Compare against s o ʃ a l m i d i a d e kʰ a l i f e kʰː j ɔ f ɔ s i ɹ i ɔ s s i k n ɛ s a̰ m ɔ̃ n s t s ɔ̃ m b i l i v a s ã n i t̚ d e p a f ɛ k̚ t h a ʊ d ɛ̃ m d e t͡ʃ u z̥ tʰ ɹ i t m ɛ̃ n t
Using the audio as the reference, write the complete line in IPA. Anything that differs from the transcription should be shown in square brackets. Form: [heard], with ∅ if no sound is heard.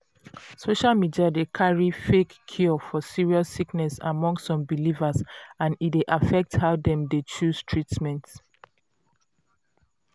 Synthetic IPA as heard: s o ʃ a l m i d i a d e kʰ a [ɹ] i f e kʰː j ɔ f ɔ s i ɹ i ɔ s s i k n ɛ s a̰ m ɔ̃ [ŋ] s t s ɔ̃ m b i l i v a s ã n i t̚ d e [ʔ] a f ɛ k̚ t h a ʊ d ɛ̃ m d e t͡ʃ u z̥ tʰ ɹ i t m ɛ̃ n t